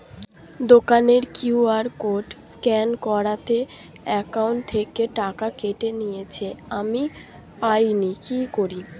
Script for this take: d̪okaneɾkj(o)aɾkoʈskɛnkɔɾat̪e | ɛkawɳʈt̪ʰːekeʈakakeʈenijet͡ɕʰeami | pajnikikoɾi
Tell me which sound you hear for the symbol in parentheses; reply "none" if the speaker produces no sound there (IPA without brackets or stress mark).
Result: u